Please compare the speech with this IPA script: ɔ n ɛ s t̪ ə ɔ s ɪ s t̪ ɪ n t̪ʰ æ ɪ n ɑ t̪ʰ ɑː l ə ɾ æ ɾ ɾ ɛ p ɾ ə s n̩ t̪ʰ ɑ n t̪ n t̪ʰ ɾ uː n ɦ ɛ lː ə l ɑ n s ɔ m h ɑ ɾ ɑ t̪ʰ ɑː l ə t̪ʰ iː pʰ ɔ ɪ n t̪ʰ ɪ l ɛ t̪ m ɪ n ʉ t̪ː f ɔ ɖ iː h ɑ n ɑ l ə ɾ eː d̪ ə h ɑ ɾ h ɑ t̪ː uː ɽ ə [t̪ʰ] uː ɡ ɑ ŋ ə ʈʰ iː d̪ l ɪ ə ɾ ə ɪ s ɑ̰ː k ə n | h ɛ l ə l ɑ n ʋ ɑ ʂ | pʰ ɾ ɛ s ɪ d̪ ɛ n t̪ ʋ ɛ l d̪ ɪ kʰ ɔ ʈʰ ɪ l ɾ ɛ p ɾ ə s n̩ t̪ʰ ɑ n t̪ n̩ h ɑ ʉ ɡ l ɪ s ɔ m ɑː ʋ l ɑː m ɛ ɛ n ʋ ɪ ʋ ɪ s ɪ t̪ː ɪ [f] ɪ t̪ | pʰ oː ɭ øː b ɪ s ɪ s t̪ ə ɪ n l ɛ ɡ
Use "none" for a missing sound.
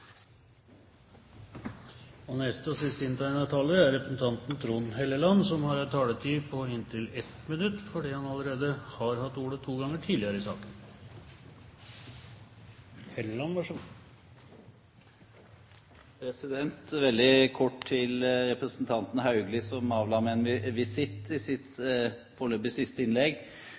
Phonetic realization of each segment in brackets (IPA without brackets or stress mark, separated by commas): t̪ʰ, s